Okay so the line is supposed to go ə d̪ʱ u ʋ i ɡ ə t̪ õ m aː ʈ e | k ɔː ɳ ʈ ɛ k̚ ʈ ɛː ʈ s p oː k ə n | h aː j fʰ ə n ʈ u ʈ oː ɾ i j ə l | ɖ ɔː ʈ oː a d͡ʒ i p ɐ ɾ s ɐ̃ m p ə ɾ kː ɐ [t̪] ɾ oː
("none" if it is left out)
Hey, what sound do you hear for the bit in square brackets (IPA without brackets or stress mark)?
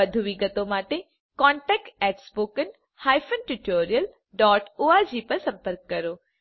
none